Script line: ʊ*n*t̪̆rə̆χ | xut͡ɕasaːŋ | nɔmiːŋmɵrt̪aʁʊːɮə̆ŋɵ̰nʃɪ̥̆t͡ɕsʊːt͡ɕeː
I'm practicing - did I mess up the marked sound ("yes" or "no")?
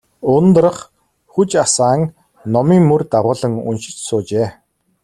no